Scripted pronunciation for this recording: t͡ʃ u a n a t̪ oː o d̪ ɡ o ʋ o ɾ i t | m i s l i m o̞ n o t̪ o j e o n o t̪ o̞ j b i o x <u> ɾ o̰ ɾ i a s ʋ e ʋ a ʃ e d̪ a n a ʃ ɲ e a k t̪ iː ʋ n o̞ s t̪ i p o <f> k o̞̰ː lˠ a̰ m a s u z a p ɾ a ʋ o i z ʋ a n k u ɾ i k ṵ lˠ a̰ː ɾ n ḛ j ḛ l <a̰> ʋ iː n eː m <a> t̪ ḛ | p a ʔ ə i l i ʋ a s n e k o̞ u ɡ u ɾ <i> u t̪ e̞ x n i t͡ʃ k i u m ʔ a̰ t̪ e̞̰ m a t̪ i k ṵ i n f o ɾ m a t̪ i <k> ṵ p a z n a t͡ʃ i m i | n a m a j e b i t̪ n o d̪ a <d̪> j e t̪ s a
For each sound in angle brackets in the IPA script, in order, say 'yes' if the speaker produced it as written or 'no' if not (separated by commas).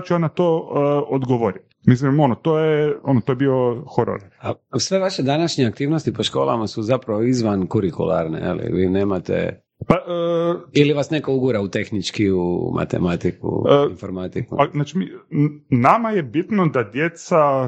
no, no, no, yes, no, yes, yes